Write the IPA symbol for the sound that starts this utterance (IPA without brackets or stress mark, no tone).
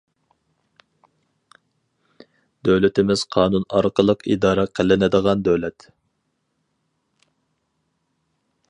d̪